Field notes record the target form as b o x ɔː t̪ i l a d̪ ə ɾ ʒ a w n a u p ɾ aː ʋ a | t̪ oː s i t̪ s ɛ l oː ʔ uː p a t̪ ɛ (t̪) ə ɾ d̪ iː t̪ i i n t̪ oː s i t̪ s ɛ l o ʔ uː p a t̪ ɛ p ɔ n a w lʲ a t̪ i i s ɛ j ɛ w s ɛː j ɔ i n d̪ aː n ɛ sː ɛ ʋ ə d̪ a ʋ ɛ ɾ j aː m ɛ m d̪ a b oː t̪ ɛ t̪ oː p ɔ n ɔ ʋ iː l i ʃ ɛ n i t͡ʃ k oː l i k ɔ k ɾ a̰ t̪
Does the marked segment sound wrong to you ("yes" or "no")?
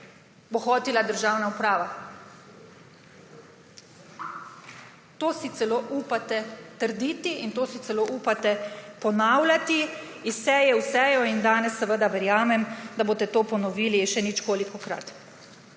no